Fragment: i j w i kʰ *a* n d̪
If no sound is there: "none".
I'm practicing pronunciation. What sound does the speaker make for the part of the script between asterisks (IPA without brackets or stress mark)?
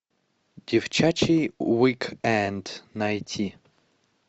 ɛ